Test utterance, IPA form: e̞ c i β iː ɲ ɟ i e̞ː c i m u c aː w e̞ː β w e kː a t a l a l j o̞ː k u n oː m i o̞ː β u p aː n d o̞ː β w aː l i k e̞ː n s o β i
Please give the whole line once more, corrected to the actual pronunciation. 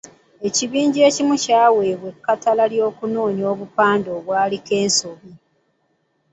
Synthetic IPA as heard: e̞ c i β iː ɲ ɟ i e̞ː c i m u c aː w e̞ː β w e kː a t a l a l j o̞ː k u n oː ɲ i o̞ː β u p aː n d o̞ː β w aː l i k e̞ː n s o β i